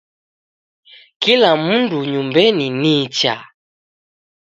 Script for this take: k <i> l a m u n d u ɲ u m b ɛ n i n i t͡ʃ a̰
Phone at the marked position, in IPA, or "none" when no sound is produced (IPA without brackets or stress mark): i